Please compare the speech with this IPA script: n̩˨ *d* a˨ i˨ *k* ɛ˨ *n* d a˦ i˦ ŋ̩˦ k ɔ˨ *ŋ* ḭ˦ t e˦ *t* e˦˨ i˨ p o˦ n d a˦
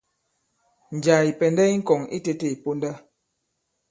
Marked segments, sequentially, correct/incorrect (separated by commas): incorrect, incorrect, correct, correct, correct